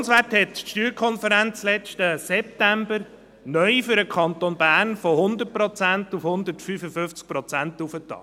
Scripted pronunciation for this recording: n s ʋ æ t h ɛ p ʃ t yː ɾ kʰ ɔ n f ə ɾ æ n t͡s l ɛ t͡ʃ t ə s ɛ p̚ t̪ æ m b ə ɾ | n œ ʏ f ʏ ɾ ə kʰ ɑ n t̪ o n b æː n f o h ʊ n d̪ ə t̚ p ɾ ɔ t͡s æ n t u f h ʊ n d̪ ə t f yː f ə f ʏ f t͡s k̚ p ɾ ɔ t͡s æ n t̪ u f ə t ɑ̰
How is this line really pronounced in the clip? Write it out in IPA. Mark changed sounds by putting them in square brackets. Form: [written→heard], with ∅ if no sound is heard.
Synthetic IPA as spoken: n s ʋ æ t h ɛ [p→t] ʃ t yː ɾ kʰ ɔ n f ə ɾ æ n t͡s l ɛ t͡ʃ t ə s ɛ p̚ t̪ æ m b ə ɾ | n œ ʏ f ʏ ɾ ə kʰ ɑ n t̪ o n b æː n f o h ʊ n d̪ ə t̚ p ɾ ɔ t͡s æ n t u f h ʊ n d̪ ə t f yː f ə f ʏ f t͡s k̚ p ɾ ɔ t͡s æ n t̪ u f ə t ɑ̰